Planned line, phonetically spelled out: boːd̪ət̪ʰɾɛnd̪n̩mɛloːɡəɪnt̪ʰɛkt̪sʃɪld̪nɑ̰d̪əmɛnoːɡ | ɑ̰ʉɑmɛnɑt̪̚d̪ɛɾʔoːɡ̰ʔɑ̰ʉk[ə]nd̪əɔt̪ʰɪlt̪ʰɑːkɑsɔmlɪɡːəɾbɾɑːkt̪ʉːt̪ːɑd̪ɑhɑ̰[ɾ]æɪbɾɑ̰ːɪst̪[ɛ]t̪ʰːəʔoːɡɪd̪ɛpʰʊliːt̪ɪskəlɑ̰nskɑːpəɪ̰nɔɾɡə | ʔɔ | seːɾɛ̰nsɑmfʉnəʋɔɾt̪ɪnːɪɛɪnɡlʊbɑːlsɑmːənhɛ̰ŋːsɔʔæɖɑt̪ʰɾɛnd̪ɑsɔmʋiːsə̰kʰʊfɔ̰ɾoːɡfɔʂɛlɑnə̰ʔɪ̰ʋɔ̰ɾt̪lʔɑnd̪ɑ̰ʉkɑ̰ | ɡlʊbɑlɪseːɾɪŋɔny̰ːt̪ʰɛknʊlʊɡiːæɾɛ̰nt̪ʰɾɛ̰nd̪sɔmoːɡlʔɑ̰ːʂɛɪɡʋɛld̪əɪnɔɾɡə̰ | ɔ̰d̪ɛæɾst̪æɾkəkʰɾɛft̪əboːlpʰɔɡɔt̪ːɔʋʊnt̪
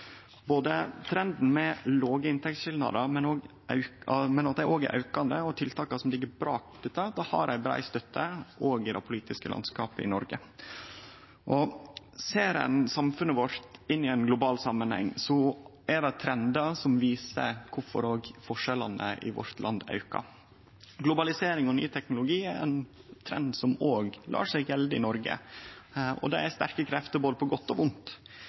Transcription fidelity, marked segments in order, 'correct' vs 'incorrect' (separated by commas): incorrect, correct, incorrect